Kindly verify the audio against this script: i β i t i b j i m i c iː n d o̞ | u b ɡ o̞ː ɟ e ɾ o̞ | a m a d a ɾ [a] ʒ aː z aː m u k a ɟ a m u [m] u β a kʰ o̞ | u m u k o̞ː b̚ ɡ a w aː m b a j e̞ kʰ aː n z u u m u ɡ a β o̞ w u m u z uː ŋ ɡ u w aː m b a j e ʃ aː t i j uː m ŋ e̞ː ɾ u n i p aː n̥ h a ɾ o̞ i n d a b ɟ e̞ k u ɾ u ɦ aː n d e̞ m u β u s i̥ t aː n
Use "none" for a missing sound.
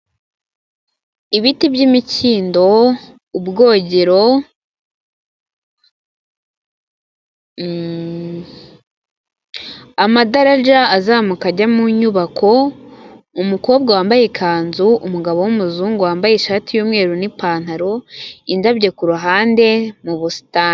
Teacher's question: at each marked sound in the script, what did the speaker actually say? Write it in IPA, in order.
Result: a, ɲ

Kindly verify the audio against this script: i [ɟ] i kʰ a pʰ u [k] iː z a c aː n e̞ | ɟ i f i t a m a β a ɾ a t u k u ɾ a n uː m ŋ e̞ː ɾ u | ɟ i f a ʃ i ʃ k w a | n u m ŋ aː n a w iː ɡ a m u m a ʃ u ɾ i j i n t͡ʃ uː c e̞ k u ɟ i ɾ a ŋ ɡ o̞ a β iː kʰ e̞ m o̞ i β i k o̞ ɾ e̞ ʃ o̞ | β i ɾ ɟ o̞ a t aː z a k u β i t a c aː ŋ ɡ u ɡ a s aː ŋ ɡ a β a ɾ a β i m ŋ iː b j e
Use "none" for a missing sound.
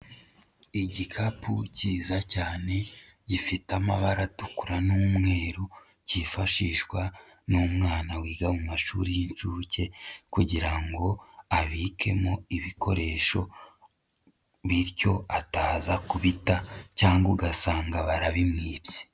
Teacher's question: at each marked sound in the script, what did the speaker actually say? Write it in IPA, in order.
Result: ɟ, c

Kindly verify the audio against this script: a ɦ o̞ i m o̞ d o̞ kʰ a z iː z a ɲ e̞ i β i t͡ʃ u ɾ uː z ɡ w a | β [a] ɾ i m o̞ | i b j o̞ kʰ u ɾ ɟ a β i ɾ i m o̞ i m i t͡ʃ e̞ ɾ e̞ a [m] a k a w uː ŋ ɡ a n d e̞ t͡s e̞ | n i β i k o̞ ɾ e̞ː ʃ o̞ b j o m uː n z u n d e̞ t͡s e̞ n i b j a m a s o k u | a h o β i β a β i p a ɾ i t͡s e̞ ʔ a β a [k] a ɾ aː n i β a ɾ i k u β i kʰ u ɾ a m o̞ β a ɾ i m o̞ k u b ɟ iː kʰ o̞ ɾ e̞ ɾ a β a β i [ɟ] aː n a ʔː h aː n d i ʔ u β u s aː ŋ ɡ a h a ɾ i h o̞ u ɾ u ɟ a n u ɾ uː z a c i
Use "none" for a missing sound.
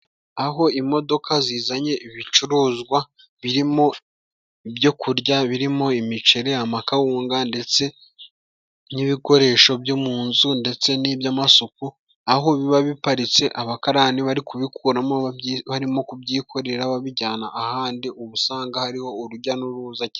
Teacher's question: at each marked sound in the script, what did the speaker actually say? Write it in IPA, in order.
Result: i, m, k, ɟ

